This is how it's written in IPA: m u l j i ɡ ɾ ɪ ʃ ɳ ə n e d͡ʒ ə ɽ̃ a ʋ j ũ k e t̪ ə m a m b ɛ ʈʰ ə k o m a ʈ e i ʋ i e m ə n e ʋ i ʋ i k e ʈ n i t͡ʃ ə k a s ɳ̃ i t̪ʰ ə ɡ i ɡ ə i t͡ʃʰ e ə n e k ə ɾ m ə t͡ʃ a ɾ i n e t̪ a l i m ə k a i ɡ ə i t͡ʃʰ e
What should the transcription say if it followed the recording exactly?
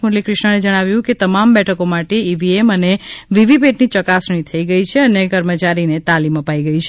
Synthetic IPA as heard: m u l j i k ɾ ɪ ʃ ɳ ə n e d͡ʒ ə ɽ̃ a ʋ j ũ k e t̪ ə m a m b ɛ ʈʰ ə k o m a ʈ e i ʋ i e m ə n e ʋ i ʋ i p e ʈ n i t͡ʃ ə k a s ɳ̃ i t̪ʰ ə i ɡ ə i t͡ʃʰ e ə n e k ə ɾ m ə t͡ʃ a ɾ i n e t̪ a l i m ə p a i ɡ ə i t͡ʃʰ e